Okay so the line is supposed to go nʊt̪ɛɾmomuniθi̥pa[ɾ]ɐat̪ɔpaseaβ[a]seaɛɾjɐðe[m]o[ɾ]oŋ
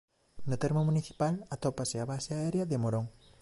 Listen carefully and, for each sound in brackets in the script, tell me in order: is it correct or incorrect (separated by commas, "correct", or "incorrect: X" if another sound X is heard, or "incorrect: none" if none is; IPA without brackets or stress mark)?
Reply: incorrect: l, correct, correct, correct